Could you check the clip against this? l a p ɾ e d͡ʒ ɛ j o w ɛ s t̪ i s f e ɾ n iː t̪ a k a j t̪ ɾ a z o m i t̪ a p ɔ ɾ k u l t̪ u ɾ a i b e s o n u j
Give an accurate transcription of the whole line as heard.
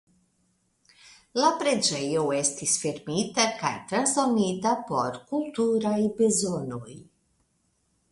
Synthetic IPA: l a p ɾ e d͡ʒ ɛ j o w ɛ s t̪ i s f e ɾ m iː t̪ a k a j t̪ ɾ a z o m i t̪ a p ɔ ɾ k u l t̪ u ɾ a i b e z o n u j